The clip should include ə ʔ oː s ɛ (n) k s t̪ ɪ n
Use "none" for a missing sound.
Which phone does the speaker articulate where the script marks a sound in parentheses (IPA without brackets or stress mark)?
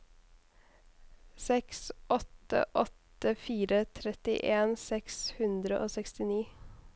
none